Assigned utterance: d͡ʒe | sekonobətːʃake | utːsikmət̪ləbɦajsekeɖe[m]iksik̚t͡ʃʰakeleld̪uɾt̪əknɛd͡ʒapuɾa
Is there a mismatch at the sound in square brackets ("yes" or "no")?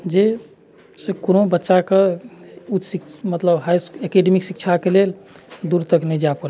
no